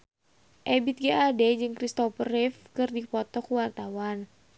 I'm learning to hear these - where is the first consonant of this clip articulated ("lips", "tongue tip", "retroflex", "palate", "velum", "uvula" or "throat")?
throat